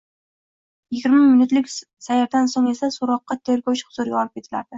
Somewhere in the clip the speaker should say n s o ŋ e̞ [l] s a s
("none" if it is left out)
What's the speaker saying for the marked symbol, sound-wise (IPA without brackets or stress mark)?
none